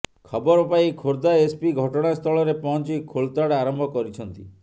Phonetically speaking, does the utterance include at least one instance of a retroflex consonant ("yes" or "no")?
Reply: yes